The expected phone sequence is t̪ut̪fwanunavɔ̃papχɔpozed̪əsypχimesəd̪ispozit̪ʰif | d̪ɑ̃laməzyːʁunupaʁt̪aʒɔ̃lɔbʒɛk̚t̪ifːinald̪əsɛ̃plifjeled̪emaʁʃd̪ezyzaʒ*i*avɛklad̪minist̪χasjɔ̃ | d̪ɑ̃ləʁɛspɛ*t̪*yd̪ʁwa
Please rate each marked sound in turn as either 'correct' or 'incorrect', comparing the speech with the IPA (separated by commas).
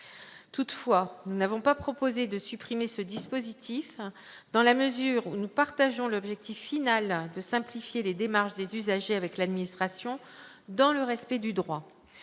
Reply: incorrect, incorrect